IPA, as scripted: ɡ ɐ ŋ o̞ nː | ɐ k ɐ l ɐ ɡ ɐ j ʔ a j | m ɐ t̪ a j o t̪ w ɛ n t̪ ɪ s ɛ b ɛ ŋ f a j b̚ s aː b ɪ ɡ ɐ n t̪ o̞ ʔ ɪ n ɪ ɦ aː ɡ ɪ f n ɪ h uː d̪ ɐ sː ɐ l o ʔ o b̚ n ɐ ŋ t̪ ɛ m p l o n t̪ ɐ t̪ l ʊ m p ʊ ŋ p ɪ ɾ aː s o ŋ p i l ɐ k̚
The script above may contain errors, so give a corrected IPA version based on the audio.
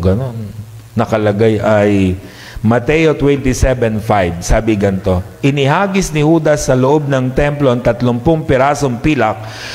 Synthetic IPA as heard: ɡ ɐ n o̞ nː | ɐ k ɐ l ɐ ɡ a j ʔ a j | m ɐ t̪ ɛ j o t̪ w ɛ n t̪ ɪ s ɛ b ɛ n f a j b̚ s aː b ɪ ɡ ɐ n t̪ o̞ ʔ ɪ n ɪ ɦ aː ɡ ɪ s n ɪ h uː d̪ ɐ sː ɐ l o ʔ o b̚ n ɐ ŋ t̪ ɛ m p l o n t̪ ɐ t̪ l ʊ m p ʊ ŋ p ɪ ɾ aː s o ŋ p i l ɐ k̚

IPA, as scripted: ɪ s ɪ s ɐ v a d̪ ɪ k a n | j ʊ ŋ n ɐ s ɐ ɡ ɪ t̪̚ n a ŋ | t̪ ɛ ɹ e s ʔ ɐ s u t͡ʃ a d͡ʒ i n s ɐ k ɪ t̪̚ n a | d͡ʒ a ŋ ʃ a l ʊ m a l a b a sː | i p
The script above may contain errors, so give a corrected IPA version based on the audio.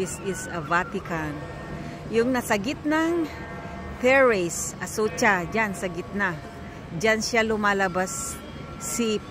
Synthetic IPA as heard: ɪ s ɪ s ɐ v a t̪ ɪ k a n | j ʊ ŋ n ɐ s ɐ ɡ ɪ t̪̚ n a ŋ | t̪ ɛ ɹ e s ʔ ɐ s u t͡ʃ a d͡ʒ a n s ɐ ɡ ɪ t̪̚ n a | d͡ʒ a n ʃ a l ʊ m a l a b a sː | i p

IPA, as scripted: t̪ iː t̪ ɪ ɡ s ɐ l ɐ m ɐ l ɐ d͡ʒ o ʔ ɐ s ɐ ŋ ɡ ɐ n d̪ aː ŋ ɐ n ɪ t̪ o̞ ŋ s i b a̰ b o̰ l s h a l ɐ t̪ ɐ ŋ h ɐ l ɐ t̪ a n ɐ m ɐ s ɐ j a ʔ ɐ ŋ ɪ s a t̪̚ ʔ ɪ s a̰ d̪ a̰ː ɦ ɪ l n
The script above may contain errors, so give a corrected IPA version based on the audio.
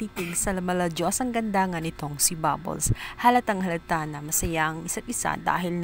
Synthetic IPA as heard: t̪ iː t̪ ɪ ɡ s ɐ l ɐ m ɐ l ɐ d͡ʒ o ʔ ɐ s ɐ ŋ ɡ ɐ n d̪ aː ŋ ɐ n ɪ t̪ o̞ ŋ s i b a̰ b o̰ l s h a l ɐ t̪ ɐ ŋ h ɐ l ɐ t̪ a n ɐ m ɐ s ɐ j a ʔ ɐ ŋ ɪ s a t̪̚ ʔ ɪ s a̰ d̪ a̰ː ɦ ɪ l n

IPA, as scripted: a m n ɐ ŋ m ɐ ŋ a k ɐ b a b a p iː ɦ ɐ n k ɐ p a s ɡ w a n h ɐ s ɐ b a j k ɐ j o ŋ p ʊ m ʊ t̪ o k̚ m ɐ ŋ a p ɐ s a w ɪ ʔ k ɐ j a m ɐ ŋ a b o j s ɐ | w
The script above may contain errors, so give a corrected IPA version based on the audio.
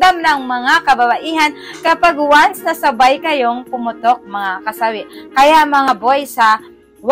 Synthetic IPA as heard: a m n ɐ ŋ m ɐ ŋ a k ɐ b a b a ʔ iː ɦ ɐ n k ɐ p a ɡ w a n s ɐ s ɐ b a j k ɐ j o ŋ p ʊ m ʊ t̪ o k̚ m ɐ ŋ a k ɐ s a w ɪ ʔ k ɐ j a m ɐ ŋ a b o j s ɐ | w

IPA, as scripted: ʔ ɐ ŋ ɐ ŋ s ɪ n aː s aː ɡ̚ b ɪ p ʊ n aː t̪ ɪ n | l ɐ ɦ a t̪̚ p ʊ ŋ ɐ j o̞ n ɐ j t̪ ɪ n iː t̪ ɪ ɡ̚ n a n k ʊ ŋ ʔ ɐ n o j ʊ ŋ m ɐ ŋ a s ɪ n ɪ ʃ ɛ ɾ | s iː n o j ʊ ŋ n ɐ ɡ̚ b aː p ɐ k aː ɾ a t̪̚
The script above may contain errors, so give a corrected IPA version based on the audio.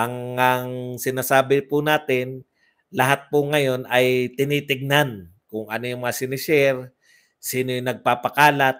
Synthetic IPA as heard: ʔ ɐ ŋ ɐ ŋ s ɪ n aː s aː b ɪ p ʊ n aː t̪ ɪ n | l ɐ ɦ a t̪̚ p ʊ ŋ ɐ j o̞ n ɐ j t̪ ɪ n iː t̪ ɪ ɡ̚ n a n k ʊ ŋ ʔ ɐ n o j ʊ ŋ m ɐ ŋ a s ɪ n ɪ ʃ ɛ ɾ | s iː n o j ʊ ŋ n ɐ ɡ̚ p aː p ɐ k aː l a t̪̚

